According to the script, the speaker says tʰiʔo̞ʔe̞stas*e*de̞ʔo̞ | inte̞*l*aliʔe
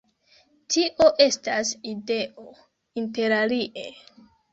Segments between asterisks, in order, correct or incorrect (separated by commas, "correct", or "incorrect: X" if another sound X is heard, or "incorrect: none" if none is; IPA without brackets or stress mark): incorrect: i, incorrect: ɾ